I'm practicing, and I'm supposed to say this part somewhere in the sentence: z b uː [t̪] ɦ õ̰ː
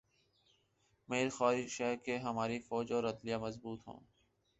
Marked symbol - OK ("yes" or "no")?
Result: yes